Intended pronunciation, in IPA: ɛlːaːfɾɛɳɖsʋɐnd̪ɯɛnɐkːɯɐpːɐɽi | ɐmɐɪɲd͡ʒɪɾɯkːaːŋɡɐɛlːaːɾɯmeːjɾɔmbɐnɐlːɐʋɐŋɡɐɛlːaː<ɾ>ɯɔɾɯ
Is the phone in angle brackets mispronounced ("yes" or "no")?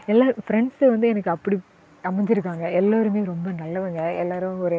no